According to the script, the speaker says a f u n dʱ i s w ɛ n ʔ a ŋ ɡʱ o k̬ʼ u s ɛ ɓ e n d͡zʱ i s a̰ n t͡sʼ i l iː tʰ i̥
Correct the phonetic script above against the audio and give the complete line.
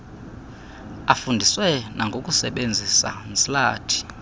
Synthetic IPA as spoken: a f u n dʱ i s w ɛ n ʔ a ŋ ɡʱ o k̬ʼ u s ɛ ɓ e n d͡zʱ i s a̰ n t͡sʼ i l aː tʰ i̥